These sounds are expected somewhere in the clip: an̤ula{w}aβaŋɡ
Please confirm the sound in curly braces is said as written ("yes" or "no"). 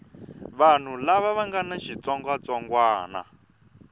no